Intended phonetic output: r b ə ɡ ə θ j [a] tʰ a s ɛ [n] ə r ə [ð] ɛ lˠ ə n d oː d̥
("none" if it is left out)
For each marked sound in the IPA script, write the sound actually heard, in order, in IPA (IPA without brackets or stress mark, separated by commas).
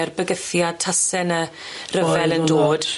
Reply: a, n, v